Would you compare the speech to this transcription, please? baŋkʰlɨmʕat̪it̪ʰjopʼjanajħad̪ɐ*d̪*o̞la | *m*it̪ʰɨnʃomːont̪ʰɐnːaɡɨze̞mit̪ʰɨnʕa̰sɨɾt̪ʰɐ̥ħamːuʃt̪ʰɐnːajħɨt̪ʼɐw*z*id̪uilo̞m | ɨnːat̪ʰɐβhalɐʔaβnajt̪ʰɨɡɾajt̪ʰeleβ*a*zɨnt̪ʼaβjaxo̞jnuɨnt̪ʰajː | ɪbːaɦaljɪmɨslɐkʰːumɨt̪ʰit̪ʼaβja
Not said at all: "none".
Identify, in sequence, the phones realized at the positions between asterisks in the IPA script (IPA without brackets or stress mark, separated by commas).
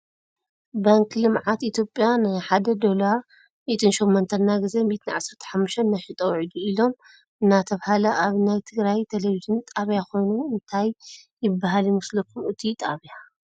d̪, m, ʕ, i